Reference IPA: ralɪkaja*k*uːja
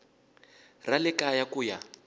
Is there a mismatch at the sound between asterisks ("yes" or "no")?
no